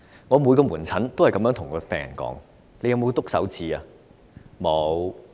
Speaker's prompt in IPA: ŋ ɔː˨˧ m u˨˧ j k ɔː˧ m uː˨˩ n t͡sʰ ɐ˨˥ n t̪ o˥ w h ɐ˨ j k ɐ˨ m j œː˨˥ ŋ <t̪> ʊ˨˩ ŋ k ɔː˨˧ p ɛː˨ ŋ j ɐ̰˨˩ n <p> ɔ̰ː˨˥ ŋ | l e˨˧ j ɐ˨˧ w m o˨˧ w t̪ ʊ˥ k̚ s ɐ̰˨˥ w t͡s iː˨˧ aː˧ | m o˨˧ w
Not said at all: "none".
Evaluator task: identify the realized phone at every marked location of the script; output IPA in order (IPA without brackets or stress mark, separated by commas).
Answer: t̪ʰ, k